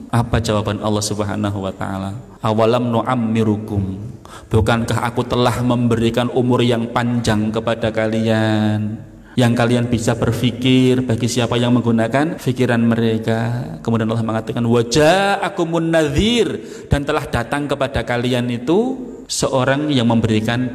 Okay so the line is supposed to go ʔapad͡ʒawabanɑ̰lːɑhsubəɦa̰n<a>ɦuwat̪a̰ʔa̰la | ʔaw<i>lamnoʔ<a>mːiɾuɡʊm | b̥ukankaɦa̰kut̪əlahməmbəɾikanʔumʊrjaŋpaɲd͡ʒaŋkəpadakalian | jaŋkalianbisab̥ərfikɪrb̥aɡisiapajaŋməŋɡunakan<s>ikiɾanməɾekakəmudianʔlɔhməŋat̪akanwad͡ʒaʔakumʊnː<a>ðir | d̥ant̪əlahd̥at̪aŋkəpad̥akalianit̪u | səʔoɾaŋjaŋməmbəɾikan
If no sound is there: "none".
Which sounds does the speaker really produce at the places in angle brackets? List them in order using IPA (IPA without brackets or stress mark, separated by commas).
a, a, a, f, a